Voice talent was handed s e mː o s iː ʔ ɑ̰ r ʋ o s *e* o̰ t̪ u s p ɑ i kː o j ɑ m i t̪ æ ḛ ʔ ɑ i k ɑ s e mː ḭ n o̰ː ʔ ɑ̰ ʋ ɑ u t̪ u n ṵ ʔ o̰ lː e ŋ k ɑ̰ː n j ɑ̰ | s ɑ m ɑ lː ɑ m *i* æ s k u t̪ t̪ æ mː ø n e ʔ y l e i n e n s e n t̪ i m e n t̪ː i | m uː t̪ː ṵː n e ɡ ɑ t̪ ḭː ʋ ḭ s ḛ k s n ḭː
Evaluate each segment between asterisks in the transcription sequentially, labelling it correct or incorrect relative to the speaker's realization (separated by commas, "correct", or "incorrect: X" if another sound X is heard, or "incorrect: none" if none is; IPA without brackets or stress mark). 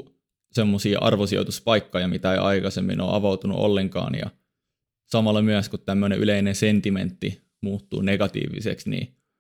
incorrect: i, incorrect: y